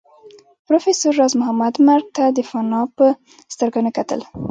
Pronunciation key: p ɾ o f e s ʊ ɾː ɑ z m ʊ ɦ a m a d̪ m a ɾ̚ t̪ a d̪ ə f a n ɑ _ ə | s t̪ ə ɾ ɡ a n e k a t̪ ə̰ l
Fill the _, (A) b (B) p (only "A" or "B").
B